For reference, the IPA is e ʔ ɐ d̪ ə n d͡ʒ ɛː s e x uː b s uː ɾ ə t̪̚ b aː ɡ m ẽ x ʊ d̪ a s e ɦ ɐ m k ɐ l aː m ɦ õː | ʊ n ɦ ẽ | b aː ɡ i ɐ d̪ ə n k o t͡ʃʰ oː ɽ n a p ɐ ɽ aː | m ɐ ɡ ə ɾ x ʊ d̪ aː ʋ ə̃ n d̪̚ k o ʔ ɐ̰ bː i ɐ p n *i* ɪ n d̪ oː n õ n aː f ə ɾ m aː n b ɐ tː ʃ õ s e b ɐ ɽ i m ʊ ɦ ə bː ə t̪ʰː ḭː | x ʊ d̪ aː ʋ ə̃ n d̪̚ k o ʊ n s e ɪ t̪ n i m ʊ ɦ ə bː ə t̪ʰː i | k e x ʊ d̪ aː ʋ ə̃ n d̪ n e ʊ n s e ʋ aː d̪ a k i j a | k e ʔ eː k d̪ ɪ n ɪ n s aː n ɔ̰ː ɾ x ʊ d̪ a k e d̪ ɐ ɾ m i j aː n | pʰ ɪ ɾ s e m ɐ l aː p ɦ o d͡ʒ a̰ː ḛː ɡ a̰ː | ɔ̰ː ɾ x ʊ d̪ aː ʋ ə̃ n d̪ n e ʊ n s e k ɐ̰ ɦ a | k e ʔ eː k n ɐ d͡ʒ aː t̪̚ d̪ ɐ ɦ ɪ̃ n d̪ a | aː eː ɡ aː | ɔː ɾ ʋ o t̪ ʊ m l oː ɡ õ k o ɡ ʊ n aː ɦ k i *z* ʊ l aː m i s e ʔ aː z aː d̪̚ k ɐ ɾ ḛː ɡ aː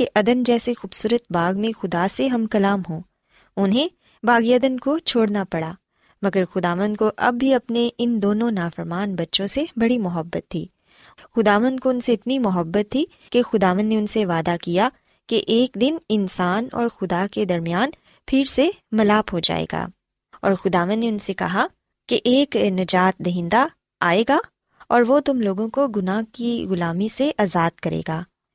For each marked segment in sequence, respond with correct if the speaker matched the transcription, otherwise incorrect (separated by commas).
incorrect, incorrect